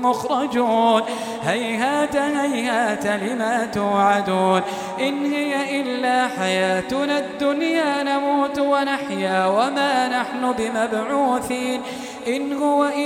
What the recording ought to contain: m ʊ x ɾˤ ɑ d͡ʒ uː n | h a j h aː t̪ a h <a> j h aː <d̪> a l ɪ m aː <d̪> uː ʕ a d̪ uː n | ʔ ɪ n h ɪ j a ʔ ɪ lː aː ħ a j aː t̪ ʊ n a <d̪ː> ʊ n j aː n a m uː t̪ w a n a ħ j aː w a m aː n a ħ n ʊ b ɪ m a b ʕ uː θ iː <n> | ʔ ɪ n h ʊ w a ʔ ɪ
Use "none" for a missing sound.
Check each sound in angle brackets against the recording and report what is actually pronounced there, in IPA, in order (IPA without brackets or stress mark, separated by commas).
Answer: a, t̪, t̪, d̪ː, n